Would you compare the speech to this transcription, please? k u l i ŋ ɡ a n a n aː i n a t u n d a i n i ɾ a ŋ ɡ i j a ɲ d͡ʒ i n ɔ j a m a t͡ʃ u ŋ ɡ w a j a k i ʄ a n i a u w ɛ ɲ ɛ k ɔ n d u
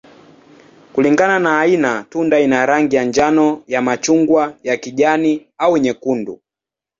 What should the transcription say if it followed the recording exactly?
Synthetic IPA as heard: k u l i ŋ ɡ a n a n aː i n a t u n d a i n a ɾ a ŋ ɡ i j a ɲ d͡ʒ a n ɔ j a m a t͡ʃ u ŋ ɡ w a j a k i ʄ a n i a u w ɛ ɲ ɛ k u n d u